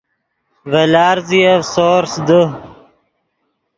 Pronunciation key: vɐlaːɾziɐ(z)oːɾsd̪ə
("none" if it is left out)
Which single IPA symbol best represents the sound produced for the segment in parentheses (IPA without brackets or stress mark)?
s